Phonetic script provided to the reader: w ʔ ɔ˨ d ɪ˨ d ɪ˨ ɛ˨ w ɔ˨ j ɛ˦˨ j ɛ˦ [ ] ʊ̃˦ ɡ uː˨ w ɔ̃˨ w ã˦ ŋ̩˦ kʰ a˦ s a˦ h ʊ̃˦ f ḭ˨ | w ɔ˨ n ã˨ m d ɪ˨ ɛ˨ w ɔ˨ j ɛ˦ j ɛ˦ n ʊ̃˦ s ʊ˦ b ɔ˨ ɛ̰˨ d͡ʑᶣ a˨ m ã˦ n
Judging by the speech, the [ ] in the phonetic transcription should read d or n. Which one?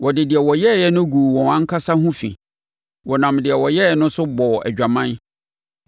n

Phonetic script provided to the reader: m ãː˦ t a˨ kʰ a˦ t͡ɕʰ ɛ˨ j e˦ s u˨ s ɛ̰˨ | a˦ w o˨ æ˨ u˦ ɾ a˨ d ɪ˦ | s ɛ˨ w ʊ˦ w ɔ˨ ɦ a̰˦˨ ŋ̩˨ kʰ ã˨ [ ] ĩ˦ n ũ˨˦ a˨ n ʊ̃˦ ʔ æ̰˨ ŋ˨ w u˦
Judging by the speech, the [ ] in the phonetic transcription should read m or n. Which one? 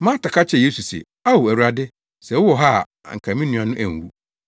m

